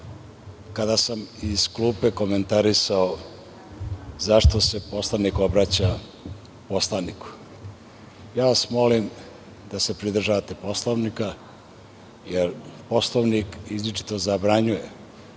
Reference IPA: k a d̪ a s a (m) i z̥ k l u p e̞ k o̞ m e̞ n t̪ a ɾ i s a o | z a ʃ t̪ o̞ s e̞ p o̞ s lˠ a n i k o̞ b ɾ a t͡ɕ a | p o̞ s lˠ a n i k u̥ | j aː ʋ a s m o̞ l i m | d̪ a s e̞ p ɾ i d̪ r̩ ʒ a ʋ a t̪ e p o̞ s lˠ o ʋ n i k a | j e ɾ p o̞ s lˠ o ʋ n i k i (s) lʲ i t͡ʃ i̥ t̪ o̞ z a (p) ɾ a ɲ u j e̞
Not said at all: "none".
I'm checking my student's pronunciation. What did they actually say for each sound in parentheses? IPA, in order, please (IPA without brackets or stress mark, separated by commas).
m, z, b